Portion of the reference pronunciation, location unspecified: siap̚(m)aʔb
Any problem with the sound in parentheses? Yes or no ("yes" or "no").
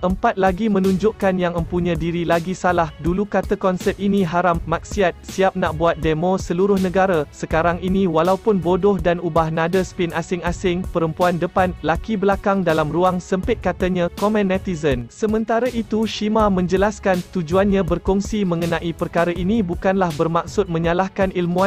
yes